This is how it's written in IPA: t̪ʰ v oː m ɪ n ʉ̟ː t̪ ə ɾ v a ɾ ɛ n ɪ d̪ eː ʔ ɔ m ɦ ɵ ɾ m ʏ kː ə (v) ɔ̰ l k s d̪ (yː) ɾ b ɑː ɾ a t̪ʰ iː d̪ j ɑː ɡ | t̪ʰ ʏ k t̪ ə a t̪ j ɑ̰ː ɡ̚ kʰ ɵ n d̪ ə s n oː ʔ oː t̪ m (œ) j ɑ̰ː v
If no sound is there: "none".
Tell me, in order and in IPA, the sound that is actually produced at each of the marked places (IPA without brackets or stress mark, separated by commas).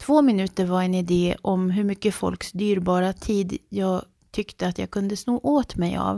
f, yː, ɛ